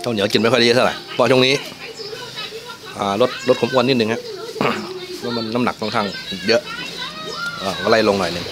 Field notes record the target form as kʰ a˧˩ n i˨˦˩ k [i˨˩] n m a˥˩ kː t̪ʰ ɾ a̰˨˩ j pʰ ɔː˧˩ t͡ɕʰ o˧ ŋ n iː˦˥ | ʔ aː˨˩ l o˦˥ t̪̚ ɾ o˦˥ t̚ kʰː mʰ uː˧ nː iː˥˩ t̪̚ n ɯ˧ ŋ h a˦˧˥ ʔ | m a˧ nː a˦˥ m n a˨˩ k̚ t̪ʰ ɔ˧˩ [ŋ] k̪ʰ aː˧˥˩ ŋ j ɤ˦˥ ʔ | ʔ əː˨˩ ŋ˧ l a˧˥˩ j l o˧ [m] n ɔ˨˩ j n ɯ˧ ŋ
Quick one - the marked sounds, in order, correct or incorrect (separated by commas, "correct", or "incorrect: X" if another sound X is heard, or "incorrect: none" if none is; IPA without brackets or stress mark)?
correct, correct, incorrect: ŋ